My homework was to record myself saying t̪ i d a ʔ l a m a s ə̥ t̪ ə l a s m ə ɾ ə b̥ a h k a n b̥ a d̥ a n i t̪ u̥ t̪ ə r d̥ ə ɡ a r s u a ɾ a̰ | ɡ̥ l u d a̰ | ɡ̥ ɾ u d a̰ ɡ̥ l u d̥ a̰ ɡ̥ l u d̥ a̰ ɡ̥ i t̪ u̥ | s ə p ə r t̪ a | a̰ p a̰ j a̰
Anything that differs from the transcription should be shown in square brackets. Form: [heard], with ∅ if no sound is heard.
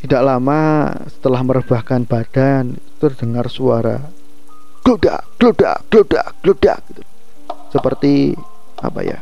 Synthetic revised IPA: t̪ i d a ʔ l a m a s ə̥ t̪ ə l a [h] m ə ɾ ə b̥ a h k a n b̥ a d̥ a n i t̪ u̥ t̪ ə r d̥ ə [ŋ] a r s u a ɾ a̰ | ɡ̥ l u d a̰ | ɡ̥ [l] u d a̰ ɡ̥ l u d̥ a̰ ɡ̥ l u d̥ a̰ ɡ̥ i t̪ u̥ | s ə p ə r t̪ [i] | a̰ p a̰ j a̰